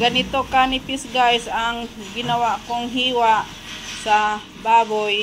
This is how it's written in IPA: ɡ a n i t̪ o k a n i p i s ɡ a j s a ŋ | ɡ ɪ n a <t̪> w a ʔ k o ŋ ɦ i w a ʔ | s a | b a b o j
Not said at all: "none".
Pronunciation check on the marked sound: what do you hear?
none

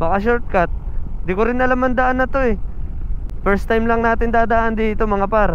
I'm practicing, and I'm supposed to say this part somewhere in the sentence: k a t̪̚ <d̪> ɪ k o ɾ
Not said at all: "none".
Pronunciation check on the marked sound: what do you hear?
d̪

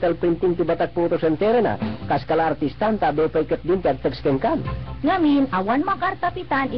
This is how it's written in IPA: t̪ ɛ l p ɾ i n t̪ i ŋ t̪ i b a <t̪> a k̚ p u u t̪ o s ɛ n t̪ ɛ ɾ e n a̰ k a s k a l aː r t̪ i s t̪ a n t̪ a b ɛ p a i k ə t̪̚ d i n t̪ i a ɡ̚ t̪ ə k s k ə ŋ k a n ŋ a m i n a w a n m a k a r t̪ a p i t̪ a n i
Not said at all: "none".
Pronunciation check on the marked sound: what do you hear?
t̪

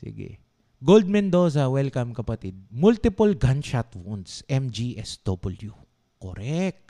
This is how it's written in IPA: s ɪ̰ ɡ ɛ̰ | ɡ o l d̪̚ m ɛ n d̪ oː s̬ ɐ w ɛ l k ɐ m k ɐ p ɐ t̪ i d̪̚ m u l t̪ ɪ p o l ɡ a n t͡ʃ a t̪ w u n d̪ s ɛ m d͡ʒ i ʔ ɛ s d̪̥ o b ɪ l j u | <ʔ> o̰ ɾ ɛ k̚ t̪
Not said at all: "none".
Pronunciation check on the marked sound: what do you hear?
k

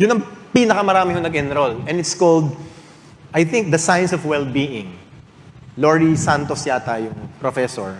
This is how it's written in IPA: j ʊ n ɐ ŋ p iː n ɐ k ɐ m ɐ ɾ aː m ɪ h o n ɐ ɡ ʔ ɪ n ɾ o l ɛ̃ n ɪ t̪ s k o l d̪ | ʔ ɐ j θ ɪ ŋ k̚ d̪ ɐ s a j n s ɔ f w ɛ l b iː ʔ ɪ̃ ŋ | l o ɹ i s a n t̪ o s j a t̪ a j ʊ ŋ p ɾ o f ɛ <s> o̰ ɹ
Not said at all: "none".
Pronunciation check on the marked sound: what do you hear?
s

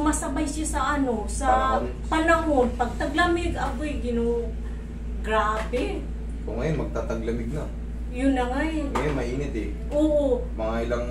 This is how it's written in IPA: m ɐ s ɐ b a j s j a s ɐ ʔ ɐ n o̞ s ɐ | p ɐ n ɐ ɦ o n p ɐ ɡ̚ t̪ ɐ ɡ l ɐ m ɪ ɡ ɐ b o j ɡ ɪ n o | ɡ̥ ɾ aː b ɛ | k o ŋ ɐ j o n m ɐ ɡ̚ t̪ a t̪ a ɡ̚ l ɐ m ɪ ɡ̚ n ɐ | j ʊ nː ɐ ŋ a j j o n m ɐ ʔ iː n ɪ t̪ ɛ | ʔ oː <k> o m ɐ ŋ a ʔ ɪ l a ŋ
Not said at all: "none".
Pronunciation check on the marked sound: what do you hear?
ʔ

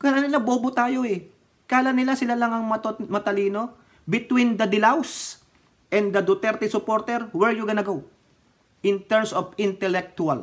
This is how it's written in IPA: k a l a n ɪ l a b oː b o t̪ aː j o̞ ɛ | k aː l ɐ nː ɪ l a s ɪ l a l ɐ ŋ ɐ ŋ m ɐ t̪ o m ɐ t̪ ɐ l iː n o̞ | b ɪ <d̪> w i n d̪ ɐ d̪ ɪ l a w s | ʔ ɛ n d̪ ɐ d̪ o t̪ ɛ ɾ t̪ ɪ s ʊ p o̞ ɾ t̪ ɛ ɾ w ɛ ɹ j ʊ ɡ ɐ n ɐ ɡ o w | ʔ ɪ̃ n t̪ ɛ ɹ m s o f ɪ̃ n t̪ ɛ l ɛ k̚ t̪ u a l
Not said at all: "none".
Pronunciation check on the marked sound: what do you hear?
t̪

